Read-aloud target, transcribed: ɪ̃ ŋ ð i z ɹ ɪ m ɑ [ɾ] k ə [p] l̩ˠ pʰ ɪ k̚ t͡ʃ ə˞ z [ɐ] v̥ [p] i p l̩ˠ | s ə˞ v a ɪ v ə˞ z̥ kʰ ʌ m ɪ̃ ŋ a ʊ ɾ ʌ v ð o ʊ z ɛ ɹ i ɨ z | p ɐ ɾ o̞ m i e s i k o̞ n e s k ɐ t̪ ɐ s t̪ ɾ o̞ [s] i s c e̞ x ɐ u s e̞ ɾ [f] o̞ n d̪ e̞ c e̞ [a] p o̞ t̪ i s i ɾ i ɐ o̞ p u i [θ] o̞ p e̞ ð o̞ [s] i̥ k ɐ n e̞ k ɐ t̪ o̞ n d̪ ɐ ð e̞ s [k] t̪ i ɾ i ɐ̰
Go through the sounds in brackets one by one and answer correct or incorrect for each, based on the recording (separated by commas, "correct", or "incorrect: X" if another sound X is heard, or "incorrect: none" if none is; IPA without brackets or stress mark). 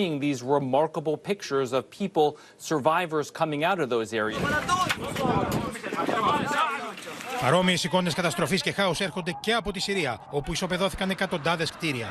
incorrect: ɹ, incorrect: b, incorrect: ʌ, incorrect: pʰ, incorrect: f, incorrect: x, incorrect: ɐ, incorrect: s, incorrect: θ, correct